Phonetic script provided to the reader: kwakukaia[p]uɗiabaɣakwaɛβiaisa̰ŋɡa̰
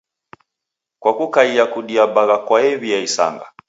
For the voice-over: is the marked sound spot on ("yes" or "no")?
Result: no